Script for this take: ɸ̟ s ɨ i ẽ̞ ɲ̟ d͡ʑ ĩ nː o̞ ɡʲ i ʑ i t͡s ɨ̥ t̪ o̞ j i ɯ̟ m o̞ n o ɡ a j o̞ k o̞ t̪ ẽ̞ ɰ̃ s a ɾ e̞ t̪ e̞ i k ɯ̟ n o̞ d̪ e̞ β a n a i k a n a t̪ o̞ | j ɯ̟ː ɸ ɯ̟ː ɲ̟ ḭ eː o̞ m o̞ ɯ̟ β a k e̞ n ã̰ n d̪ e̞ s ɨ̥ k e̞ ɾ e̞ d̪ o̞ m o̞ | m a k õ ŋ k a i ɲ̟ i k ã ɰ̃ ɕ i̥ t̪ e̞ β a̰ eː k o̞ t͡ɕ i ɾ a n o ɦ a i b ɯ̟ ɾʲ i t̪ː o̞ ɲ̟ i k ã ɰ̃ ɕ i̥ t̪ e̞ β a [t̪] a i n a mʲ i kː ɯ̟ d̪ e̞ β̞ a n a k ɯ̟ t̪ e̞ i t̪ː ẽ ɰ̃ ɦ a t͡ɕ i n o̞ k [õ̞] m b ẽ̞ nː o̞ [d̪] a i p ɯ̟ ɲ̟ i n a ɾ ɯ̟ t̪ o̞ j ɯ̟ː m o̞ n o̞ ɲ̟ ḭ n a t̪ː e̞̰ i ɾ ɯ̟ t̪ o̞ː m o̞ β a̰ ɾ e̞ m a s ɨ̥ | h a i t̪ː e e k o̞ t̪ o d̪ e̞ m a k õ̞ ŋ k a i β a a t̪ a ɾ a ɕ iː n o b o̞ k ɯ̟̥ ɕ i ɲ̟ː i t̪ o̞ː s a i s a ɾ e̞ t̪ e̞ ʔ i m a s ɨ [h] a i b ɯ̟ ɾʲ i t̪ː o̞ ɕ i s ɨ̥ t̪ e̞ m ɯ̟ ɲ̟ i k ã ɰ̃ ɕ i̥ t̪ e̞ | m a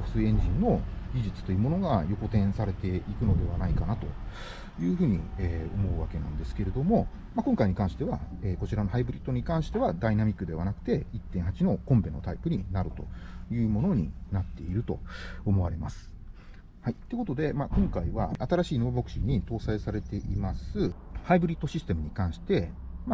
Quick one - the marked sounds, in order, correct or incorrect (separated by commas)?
incorrect, correct, incorrect, correct